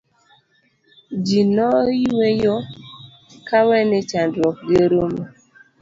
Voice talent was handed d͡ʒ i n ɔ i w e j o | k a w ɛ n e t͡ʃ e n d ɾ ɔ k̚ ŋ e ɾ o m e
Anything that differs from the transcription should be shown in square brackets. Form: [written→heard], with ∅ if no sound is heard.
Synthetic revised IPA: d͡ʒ i n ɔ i w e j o | k a w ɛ n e t͡ʃ [e→a] n d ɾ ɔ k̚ [ŋ→ɡ] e ɾ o m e